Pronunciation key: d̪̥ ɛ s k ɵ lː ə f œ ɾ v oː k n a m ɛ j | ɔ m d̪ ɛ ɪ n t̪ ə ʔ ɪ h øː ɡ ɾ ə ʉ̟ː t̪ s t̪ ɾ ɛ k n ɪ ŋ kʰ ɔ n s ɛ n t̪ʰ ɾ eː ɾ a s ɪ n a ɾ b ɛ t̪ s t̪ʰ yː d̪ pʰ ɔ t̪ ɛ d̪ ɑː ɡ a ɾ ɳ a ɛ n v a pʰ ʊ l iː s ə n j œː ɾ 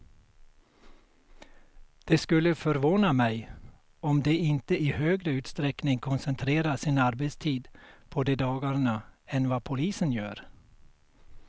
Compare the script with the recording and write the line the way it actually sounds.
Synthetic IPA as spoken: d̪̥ ɛ s k ɵ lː ə f œ ɾ v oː n a m ɛ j | ɔ m d̪ ɛ ɪ n t̪ ə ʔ ɪ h øː ɡ ɾ ə ʉ̟ː t̪ s t̪ ɾ ɛ k n ɪ ŋ kʰ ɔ n s ɛ n t̪ʰ ɾ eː ɾ a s ɪ n a ɾ b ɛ t̪ s t̪ʰ iː d̪ pʰ ɔ d̪ ɛ d̪ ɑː ɡ a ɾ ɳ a ɛ n v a pʰ ʊ l iː s ə n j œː ɾ